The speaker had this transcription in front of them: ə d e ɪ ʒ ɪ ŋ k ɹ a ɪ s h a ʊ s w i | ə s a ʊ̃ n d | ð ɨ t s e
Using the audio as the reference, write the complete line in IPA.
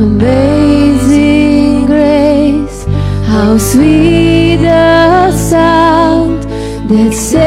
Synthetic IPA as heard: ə b e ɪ z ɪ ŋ ɡ ɹ e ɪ s h a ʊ s w i | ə s a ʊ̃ n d | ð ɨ t s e